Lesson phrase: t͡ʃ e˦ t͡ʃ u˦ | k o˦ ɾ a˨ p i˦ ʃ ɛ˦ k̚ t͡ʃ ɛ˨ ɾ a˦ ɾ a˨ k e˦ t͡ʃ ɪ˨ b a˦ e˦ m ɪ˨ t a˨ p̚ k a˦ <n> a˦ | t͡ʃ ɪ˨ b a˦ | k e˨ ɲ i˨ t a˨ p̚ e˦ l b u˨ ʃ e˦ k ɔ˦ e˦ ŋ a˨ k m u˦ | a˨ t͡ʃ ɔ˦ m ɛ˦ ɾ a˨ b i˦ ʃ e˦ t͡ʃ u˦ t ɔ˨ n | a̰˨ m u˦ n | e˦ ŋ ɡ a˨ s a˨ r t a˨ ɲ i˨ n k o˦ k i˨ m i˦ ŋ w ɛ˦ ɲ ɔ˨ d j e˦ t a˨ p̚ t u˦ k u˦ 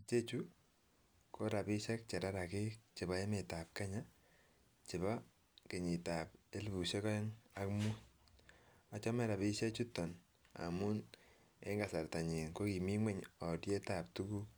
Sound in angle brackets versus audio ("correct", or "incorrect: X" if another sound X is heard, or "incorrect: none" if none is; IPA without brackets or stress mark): incorrect: ɲ